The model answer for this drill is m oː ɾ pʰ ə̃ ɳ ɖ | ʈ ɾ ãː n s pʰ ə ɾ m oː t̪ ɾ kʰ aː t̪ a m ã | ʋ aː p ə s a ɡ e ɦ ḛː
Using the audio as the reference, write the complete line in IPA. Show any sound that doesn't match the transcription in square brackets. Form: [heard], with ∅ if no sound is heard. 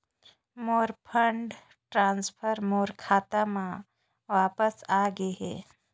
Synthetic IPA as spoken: m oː ɾ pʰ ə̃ ɳ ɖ | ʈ ɾ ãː n s pʰ ə ɾ m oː [∅] ɾ kʰ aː t̪ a m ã | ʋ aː p ə s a ɡ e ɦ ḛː